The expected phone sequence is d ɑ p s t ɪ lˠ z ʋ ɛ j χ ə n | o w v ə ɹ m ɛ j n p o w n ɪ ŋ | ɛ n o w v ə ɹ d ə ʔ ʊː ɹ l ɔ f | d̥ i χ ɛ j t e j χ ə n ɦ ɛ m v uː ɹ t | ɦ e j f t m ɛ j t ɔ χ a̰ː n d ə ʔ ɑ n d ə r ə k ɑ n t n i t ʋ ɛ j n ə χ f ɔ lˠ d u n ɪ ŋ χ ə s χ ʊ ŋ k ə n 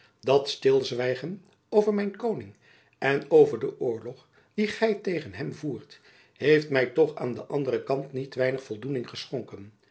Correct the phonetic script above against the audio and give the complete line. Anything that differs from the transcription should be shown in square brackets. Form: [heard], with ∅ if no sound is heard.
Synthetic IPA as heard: d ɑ [t] s t ɪ lˠ z ʋ ɛ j χ ə n | o w v ə ɹ m ɛ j n [k] o w n ɪ ŋ | ɛ n o w v ə ɹ d ə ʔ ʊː ɹ l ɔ [χ] | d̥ i χ ɛ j t e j χ ə n ɦ ɛ m v uː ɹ t | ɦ e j f t m ɛ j t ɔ χ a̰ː n d ə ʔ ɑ n d ə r ə k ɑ n t n i t ʋ ɛ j n ə χ f ɔ lˠ d u n ɪ ŋ χ ə s χ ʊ ŋ k ə n